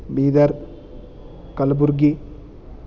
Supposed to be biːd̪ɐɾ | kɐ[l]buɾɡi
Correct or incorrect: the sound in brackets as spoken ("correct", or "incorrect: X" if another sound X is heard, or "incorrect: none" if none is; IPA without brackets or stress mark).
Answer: correct